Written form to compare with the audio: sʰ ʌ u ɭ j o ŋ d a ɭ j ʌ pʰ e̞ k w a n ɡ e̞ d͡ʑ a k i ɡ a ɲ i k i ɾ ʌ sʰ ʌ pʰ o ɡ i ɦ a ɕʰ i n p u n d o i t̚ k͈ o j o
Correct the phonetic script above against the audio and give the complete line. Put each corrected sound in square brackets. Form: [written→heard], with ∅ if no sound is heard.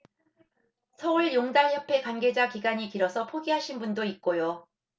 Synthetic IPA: sʰ ʌ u ɭ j o ŋ d a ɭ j ʌ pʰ e̞ k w a n ɡ e̞ d͡ʑ a k i ɡ a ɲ i k i ɾ ʌ sʰ ʌ pʰ o ɡ i ɦ a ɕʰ i n [p→b] u n d o i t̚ k͈ o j o